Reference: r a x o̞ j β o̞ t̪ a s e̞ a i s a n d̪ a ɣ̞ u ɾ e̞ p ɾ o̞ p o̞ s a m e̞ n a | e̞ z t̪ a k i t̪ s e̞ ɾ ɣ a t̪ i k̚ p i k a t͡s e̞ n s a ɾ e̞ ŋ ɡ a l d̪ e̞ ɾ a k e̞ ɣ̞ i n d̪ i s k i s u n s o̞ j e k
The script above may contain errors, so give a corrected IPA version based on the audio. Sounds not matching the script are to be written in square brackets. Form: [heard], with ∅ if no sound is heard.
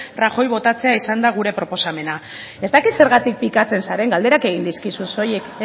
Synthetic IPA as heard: r a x o̞ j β o̞ t̪ a [t͡s] e̞ a i s a n d̪ a ɣ̞ u ɾ e̞ p ɾ o̞ p o̞ s a m e̞ n a | e̞ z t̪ a k i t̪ s e̞ ɾ ɣ a t̪ i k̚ p i k a t͡s e̞ n s a ɾ e̞ ŋ ɡ a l d̪ e̞ ɾ a k e̞ ɣ̞ i n d̪ i s k i s u n s o̞ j e k